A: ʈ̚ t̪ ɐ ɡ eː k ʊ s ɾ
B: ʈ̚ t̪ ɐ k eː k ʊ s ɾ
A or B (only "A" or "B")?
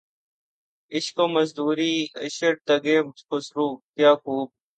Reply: A